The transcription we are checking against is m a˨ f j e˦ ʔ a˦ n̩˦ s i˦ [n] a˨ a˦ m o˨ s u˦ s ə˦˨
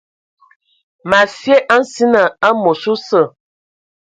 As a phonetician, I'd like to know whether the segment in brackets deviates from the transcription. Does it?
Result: no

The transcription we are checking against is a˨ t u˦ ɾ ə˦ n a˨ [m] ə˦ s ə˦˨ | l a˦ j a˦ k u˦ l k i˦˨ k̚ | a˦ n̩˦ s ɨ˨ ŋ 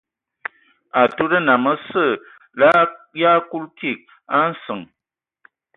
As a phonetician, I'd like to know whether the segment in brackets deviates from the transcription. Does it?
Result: no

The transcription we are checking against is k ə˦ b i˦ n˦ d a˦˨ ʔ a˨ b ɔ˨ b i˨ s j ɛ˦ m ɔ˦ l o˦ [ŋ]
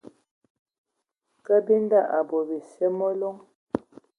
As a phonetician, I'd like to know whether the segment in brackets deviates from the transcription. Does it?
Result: no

